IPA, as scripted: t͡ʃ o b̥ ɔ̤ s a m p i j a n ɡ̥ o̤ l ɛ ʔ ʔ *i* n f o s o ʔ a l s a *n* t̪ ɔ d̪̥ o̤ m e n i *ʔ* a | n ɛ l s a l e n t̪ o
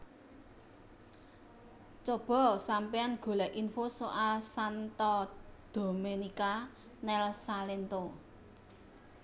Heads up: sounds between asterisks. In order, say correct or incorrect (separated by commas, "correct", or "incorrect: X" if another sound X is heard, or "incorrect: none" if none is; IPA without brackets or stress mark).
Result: correct, correct, incorrect: k